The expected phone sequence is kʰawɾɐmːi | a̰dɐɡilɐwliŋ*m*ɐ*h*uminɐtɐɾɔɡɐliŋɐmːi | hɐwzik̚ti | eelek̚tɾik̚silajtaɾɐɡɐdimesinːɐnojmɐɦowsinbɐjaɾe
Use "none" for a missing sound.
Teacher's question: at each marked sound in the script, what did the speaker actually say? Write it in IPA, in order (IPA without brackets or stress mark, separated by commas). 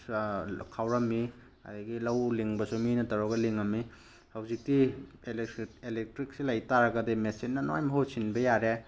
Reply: b, s